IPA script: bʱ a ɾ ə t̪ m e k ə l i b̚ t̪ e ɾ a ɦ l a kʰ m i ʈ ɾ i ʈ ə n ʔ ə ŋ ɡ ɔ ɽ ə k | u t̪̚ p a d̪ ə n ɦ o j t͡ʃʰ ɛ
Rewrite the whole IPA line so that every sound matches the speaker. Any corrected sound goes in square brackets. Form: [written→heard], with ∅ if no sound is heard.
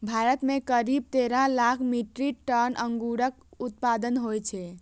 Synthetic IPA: bʱ a ɾ ə t̪ m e k ə [l→ɾ] i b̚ t̪ e ɾ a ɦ l a kʰ m i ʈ ɾ i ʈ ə n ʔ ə ŋ ɡ [ɔ→u] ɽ ə k | u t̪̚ p a d̪ ə n ɦ o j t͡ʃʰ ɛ